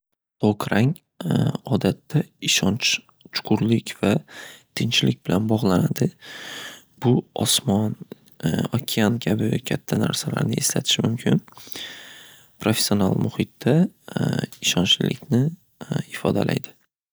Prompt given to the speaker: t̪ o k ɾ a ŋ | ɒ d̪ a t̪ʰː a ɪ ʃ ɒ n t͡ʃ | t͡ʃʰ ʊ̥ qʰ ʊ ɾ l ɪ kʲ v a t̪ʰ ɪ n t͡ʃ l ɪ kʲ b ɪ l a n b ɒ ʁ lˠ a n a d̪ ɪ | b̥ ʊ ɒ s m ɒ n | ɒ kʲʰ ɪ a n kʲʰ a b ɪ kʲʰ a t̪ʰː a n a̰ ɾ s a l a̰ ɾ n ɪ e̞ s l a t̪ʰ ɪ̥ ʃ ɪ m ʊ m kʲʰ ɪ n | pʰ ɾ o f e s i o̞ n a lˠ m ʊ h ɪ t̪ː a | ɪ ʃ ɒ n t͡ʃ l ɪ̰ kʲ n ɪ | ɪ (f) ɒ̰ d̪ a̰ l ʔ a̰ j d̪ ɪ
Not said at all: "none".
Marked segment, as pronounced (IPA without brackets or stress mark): f